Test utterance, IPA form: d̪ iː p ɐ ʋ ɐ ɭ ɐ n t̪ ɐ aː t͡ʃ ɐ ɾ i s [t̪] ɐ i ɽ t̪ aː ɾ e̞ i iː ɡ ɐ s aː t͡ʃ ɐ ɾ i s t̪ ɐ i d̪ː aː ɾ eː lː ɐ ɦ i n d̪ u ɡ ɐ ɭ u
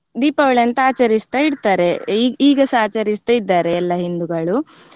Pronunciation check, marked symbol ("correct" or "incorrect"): correct